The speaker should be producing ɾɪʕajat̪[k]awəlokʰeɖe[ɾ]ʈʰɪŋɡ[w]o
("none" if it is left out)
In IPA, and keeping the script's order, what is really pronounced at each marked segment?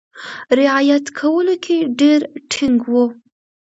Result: kʰ, ɾ, w

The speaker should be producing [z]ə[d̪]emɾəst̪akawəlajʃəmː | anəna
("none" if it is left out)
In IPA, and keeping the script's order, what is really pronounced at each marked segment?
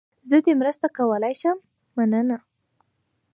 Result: z, d̪

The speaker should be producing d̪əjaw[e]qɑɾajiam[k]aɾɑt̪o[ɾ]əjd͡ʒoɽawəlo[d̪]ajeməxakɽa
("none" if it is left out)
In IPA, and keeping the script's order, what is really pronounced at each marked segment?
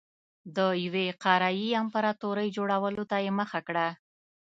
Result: e, p, ɾ, t̪

